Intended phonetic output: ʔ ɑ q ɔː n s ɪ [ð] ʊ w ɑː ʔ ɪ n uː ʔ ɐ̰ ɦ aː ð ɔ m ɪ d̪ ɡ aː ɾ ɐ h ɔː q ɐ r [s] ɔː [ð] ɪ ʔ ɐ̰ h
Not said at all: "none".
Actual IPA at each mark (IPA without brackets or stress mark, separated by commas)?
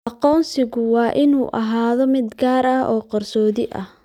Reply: ɣ, s, ð